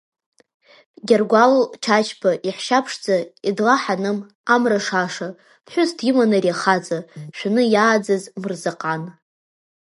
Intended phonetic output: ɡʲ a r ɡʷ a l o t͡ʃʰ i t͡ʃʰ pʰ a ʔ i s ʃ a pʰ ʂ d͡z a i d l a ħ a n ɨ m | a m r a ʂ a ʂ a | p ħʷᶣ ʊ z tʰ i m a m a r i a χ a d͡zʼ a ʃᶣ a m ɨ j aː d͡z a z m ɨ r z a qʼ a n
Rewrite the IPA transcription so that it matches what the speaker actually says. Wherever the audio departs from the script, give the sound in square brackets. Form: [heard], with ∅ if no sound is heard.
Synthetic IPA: ɡʲ a r ɡʷ a l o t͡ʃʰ [a] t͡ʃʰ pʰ a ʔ i [ħ] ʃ a pʰ ʂ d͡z a i d l a ħ a n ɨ m | a m r a ʂ a ʂ a | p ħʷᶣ ʊ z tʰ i m a [n] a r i a χ a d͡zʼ a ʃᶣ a [n] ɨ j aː d͡z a z m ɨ r z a qʼ a n